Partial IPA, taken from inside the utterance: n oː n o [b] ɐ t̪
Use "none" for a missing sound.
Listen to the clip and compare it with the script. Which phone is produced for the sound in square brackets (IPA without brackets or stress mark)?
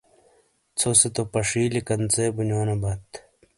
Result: b